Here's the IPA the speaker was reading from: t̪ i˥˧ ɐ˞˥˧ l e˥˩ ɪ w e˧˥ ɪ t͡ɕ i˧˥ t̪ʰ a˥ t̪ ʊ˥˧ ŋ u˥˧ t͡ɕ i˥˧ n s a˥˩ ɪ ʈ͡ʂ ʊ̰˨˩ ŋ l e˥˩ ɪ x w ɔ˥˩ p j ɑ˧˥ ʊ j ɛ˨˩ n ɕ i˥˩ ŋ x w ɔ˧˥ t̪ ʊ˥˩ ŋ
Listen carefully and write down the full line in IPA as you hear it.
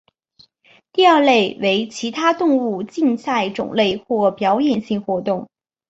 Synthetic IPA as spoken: t̪ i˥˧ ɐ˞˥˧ l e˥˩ ɪ w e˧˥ ɪ t͡ɕʰ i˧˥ t̪ʰ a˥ t̪ ʊ˥˧ ŋ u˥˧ t͡ɕ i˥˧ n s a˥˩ ɪ ʈ͡ʂ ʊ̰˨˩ ŋ l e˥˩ ɪ x w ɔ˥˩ p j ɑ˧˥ ʊ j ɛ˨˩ n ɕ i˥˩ ŋ x w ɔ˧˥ t̪ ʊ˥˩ ŋ

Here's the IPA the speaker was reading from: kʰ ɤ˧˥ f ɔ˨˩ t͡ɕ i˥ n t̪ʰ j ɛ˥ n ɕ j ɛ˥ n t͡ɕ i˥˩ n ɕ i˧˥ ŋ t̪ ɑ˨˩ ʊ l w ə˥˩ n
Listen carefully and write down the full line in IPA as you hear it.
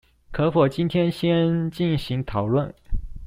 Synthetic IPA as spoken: kʰ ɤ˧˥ f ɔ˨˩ t͡ɕ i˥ n t̪ʰ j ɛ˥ n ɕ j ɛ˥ n t͡ɕ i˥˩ n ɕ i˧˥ ŋ t̪ʰ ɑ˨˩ ʊ l w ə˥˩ n

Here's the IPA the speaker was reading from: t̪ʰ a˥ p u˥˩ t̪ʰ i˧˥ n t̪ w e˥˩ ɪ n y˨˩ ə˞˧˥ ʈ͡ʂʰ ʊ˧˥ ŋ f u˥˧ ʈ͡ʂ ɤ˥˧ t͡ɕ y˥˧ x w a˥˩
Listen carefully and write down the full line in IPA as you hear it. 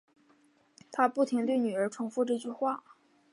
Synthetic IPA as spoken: t̪ʰ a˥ p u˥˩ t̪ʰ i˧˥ ŋ t̪ w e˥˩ ɪ n y˨˩ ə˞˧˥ ʈ͡ʂʰ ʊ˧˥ ŋ f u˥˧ ʈ͡ʂ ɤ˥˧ t͡ɕ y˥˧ x w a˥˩

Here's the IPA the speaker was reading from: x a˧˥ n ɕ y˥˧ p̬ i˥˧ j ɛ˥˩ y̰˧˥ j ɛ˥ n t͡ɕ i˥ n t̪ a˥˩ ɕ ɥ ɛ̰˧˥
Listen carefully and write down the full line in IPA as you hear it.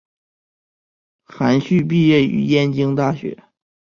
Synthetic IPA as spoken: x a˧˥ n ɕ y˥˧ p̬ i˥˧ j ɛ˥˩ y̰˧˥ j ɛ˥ n t͡ɕ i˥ ŋ t̪ a˥˩ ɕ ɥ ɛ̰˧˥

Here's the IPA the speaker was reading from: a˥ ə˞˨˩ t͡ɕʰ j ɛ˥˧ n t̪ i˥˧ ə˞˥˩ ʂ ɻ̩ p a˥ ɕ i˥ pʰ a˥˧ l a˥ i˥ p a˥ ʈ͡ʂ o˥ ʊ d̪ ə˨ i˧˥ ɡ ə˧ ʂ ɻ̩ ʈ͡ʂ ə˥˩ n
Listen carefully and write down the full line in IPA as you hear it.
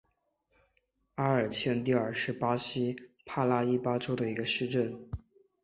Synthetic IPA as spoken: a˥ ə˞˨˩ t͡ɕʰ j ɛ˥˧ n t̪ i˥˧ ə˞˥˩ ʂ ɻ̩ p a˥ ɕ i˥ pʰ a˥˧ l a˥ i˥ p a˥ ʈ͡ʂ o˥ ʊ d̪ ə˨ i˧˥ ɡ ə˧ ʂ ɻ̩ ʈ͡ʂ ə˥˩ n

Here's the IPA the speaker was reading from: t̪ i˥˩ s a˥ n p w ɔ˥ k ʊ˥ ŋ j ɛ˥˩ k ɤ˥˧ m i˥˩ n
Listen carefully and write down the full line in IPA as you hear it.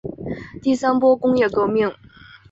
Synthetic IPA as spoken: t̪ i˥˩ s a˥ n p w ɔ˥ k ʊ˥ ŋ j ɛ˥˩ k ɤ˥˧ m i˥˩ ŋ

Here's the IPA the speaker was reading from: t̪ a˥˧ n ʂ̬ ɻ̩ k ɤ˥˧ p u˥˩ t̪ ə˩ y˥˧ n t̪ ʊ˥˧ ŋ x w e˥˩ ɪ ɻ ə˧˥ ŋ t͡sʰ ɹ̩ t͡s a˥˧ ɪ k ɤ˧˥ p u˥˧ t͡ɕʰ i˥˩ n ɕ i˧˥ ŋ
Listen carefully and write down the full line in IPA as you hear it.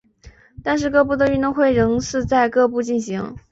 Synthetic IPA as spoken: t̪ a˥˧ n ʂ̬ ɻ̩ k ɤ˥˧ p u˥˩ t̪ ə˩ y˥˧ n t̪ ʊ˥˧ ŋ x w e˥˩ ɪ ɻ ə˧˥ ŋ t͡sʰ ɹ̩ t͡s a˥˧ ɪ k ɤ˥˧ p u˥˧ t͡ɕ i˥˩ n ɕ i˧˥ ŋ

